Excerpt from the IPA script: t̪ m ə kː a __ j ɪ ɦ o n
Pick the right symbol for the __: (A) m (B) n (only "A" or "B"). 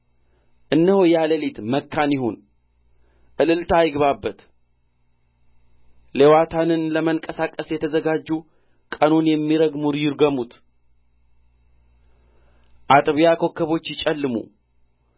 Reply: B